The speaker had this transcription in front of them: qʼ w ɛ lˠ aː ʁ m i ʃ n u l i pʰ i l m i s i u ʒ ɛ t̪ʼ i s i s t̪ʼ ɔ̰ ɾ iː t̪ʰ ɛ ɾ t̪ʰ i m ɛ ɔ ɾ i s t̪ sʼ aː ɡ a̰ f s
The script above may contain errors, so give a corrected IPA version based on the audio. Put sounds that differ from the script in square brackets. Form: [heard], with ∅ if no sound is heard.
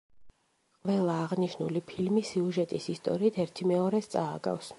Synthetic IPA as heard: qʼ [v] ɛ lˠ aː ʁ [n] i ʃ n u l i pʰ i l m i s i u ʒ ɛ t̪ʼ i s i s t̪ʼ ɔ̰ ɾ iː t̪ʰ ɛ ɾ t̪ʰ i m ɛ ɔ ɾ [ɛ] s t̪ sʼ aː ɡ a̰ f s